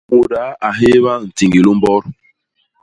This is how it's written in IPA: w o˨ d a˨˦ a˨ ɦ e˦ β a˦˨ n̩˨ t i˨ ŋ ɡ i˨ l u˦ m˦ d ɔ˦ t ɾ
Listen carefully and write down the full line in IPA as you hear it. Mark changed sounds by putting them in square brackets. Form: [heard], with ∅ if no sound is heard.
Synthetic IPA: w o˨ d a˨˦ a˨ ɦ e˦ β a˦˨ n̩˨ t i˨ ŋ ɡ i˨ l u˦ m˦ [b] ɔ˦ [∅] ɾ